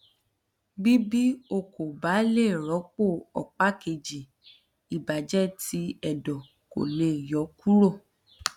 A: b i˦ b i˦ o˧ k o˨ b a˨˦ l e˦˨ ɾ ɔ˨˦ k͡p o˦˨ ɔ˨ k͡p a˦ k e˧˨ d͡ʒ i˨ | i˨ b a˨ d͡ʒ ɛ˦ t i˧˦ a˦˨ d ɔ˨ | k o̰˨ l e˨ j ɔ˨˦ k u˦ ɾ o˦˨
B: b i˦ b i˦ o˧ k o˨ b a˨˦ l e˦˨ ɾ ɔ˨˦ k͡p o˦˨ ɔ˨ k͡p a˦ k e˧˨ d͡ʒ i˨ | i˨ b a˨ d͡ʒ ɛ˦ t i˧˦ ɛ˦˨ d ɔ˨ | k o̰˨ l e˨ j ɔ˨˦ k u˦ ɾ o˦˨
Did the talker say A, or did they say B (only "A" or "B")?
B